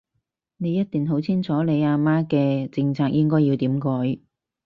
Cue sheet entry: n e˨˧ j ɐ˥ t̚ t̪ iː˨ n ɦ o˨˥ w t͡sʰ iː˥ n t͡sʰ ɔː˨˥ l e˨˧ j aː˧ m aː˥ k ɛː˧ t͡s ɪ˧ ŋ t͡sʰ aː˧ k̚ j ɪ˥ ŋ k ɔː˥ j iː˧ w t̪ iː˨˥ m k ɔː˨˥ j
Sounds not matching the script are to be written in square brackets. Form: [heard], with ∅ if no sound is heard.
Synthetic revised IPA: n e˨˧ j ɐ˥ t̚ t̪ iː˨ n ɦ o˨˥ w t͡sʰ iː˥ n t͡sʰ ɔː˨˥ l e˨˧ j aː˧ m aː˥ k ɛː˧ t͡s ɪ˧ ŋ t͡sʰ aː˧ k̚ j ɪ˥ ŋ k ɔː˥ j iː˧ w t̪ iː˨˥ m k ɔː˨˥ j